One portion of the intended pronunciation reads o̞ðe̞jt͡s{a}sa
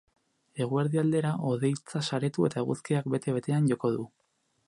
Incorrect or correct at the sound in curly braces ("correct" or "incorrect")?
correct